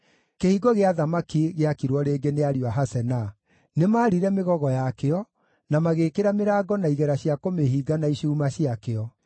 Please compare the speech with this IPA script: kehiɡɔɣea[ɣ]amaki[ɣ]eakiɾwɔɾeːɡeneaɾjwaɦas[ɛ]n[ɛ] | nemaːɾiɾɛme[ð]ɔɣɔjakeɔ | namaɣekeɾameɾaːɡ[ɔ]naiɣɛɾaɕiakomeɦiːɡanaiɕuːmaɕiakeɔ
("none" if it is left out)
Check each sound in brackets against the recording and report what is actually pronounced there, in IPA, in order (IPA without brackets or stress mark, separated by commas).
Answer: ð, ɣ, ɛ, a, ɣ, ɔ